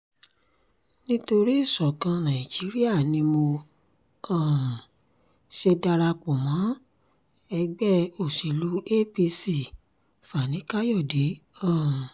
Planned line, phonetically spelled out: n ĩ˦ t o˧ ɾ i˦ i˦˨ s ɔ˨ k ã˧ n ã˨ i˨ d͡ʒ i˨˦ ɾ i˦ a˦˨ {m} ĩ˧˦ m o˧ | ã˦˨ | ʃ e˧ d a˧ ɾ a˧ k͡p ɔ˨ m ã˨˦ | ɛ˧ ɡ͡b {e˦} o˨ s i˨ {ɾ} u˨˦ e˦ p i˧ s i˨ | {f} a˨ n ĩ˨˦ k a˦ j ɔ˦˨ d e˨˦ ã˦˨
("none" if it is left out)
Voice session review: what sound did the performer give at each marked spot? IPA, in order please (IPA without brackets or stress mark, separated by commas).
n, ɛ˦, l, f